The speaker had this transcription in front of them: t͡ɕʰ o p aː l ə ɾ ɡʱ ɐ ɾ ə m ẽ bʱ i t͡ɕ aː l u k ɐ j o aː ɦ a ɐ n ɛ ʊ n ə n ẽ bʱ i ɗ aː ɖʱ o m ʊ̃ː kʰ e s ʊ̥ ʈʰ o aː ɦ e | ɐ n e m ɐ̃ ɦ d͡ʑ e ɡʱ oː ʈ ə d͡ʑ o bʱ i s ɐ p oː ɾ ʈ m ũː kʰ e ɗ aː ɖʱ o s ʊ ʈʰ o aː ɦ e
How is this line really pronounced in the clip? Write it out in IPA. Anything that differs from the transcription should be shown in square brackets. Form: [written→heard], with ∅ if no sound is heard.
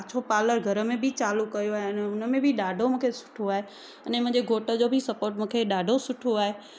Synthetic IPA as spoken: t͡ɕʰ o p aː l ə ɾ ɡʱ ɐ ɾ ə m ẽ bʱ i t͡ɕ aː l u k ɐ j o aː ɦ [a→e] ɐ n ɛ ʊ n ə [n→m] ẽ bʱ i ɗ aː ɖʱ o m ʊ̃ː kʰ e s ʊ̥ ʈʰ o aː ɦ e | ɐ n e m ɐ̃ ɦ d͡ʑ e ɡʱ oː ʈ ə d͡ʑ o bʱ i s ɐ p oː ɾ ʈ m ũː kʰ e ɗ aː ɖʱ o s ʊ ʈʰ o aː ɦ e